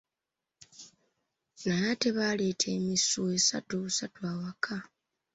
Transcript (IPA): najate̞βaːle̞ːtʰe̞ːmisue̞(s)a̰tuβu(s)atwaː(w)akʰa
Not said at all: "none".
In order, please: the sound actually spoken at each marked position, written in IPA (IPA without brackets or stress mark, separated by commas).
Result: s, s, w